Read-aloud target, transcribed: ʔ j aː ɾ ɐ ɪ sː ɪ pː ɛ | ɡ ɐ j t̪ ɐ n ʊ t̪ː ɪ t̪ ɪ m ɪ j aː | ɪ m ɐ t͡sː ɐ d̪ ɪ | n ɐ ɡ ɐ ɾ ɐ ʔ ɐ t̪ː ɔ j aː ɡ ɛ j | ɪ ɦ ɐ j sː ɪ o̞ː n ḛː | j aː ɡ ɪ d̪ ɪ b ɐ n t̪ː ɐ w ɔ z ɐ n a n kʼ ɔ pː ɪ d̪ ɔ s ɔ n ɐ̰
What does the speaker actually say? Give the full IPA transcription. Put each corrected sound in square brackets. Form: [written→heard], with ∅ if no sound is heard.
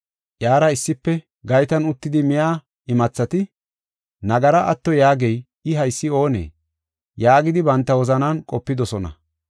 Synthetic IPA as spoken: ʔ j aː ɾ ɐ ɪ sː ɪ pː ɛ | ɡ ɐ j t̪ ɐ n ʊ t̪ː ɪ [t̪→d̪] ɪ m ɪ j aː | ɪ m ɐ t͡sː ɐ [d̪→t̪] ɪ | n ɐ ɡ ɐ ɾ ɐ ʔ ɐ t̪ː ɔ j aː ɡ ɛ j | ɪ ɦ ɐ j sː ɪ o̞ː n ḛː | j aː ɡ ɪ d̪ ɪ b ɐ n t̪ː ɐ w ɔ z ɐ n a n kʼ ɔ pː ɪ d̪ ɔ s ɔ n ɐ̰

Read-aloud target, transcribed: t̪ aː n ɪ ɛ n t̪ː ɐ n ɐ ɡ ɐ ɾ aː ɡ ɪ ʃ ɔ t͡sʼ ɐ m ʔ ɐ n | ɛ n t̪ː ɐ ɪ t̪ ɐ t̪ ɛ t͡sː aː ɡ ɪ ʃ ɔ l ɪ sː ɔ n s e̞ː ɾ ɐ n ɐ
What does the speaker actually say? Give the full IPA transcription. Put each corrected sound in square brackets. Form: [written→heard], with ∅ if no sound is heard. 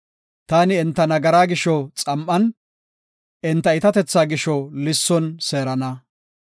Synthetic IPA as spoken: t̪ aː n ɪ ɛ n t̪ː ɐ n ɐ ɡ ɐ ɾ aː ɡ ɪ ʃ ɔ t͡sʼ ɐ m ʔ ɐ n | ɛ n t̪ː ɐ ɪ t̪ ɐ t̪ ɛ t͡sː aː ɡ ɪ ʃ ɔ l ɪ sː ɔ n s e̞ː ɾ ɐ n ɐ

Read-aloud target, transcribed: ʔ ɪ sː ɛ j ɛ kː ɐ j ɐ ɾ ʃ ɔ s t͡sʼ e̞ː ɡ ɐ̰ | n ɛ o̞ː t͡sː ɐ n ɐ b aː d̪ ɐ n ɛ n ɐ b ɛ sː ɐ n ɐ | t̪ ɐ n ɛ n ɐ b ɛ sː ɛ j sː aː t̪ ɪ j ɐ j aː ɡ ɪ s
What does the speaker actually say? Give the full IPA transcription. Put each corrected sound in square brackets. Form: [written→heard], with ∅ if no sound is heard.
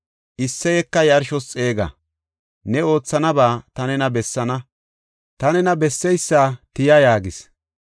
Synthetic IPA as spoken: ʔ ɪ sː ɛ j ɛ kː ɐ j ɐ ɾ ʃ ɔ s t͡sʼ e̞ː ɡ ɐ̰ | n ɛ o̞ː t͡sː ɐ n ɐ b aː [d̪→t̪] ɐ n ɛ n ɐ b ɛ sː ɐ n ɐ | t̪ ɐ n ɛ n ɐ b ɛ sː ɛ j sː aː t̪ ɪ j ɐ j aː ɡ ɪ s

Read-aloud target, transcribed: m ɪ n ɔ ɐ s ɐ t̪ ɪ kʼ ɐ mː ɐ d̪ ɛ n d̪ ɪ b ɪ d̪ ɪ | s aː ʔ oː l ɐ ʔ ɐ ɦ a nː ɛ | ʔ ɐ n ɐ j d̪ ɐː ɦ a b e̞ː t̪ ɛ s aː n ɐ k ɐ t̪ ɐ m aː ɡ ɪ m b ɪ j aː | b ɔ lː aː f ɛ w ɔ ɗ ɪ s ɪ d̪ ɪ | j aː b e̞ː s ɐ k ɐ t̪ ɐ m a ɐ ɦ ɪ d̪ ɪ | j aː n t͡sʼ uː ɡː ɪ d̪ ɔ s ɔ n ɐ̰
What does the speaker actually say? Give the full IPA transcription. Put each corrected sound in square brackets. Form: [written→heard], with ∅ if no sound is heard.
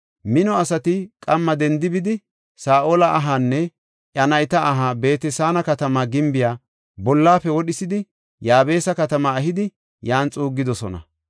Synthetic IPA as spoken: m ɪ n ɔ ɐ s ɐ t̪ ɪ kʼ ɐ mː ɐ d̪ ɛ n d̪ ɪ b ɪ d̪ ɪ | s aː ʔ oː l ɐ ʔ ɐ ɦ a nː ɛ | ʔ ɐ n ɐ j [d̪→t̪] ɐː ɦ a b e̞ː t̪ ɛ s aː n ɐ k ɐ t̪ ɐ m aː ɡ ɪ m b ɪ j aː | b ɔ lː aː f ɛ w ɔ ɗ ɪ s ɪ d̪ ɪ | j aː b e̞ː s ɐ k ɐ t̪ ɐ m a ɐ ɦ ɪ d̪ ɪ | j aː n t͡sʼ uː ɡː ɪ d̪ ɔ s ɔ n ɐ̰

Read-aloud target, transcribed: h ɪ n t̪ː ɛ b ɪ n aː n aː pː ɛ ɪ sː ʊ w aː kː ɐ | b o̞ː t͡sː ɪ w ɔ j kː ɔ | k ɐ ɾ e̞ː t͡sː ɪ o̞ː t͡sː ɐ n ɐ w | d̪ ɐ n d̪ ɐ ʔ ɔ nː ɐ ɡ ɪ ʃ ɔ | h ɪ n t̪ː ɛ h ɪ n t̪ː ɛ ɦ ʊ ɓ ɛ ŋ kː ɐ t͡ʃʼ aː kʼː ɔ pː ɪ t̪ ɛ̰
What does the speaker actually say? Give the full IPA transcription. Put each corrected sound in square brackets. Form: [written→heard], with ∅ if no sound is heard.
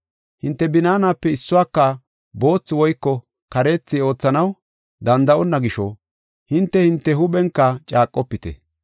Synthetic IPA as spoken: h ɪ n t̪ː ɛ b ɪ n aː n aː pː ɛ ɪ sː ʊ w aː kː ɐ | b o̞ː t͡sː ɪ w ɔ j kː ɔ | k ɐ ɾ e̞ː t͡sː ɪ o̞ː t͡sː ɐ n ɐ w | d̪ ɐ n d̪ ɐ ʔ ɔ nː ɐ ɡ ɪ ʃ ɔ | h ɪ n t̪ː ɛ h ɪ n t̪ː ɛ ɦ ʊ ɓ ɛ ŋ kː ɐ t͡ʃʼ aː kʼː ɔ pː ɪ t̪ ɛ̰

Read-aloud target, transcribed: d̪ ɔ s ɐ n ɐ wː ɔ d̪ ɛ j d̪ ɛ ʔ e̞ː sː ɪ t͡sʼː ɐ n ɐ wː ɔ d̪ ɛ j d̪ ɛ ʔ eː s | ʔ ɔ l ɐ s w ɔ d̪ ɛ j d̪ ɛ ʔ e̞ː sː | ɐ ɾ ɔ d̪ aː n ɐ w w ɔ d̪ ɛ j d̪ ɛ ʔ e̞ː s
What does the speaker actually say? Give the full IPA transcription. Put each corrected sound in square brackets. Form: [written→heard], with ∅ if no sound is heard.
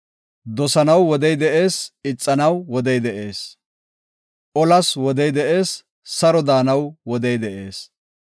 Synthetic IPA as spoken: d̪ ɔ s ɐ n ɐ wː ɔ d̪ ɛ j d̪ ɛ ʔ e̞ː [sː→s] ɪ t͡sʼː ɐ n ɐ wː ɔ d̪ ɛ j d̪ ɛ ʔ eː s | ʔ ɔ l ɐ s w ɔ d̪ ɛ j d̪ ɛ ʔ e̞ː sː | ɐ ɾ ɔ d̪ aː n ɐ w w ɔ d̪ ɛ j d̪ ɛ ʔ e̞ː s

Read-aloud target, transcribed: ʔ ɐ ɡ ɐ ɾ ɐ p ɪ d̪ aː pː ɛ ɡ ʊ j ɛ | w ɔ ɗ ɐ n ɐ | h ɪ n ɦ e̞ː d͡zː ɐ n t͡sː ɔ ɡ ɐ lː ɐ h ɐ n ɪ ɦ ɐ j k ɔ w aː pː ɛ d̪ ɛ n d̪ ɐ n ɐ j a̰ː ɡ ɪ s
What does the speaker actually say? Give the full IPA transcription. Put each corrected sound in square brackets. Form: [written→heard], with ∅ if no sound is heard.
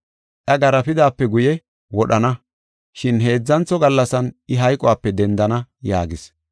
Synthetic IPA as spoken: ʔ ɐ ɡ ɐ ɾ ɐ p ɪ d̪ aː pː ɛ ɡ ʊ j ɛ | w ɔ ɗ ɐ n ɐ | [h→ʃ] ɪ n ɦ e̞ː d͡zː ɐ n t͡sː ɔ ɡ ɐ lː ɐ [h→s] ɐ n ɪ ɦ ɐ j [k→kʼ] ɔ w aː pː ɛ d̪ ɛ n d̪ ɐ n ɐ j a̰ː ɡ ɪ s

